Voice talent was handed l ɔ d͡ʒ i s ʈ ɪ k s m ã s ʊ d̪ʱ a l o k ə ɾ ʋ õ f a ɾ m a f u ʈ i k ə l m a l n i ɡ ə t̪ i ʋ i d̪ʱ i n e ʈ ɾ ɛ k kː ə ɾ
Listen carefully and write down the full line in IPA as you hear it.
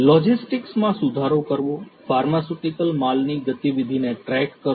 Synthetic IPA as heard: l ɔ d͡ʒ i s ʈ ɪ k s m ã s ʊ d̪ʱ a ɾ o k ə ɾ ʋ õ f a ɾ m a s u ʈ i k ə l m a l n i ɡ ə t̪ i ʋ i d̪ʱ i n e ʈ ɾ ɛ k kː ə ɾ